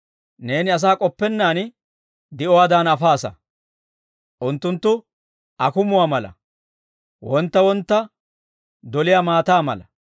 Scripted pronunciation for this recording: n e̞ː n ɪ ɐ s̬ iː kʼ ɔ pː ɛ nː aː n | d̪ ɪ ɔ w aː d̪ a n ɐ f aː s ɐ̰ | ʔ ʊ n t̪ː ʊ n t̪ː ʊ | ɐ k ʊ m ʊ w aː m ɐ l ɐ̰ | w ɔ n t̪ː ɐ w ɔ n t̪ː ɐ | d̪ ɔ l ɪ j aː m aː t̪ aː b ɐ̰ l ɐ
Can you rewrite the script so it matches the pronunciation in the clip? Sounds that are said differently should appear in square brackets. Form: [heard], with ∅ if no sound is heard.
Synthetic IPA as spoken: n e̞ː n ɪ ɐ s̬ [aː] kʼ ɔ pː ɛ nː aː n | d̪ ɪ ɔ w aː d̪ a n ɐ f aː s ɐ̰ | ʔ ʊ n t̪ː ʊ n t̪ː ʊ | ɐ k ʊ m ʊ w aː m ɐ l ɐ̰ | w ɔ n t̪ː ɐ w ɔ n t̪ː ɐ | d̪ ɔ l ɪ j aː m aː t̪ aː [m] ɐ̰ l ɐ